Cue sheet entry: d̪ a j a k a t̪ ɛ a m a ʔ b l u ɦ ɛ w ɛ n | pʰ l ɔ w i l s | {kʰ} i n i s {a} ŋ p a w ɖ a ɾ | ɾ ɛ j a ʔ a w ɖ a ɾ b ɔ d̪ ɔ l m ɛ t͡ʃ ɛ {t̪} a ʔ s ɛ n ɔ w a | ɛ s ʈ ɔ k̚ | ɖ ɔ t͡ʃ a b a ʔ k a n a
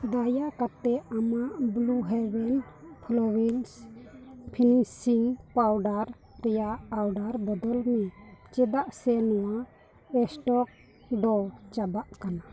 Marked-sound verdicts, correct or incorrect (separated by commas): incorrect, incorrect, incorrect